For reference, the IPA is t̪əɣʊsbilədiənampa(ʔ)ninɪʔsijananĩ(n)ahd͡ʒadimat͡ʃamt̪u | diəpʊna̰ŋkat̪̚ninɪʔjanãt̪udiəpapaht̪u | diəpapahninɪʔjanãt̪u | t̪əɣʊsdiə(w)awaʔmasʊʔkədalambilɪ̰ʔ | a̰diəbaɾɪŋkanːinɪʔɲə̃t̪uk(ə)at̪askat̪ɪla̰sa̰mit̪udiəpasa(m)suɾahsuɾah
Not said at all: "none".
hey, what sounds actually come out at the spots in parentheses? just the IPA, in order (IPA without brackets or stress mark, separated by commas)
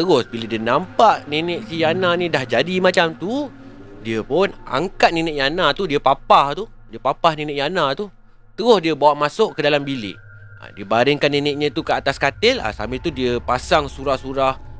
ʔ, d, b, ə, ŋ